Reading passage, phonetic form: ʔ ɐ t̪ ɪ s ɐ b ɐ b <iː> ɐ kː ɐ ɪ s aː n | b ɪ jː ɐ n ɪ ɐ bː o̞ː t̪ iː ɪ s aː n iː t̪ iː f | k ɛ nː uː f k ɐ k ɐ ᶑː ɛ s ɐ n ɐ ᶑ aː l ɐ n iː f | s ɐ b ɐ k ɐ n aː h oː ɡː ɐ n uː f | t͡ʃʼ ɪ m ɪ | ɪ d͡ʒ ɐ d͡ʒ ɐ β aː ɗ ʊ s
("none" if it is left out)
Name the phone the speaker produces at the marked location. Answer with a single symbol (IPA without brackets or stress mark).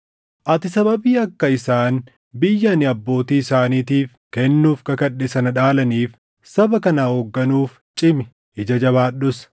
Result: iː